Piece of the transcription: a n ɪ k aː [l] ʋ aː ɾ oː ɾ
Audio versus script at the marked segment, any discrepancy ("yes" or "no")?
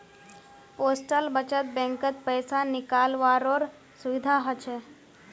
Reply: no